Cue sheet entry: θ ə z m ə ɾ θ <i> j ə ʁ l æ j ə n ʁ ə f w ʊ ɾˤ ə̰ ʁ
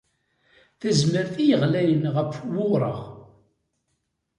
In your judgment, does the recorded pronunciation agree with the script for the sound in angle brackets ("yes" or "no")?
yes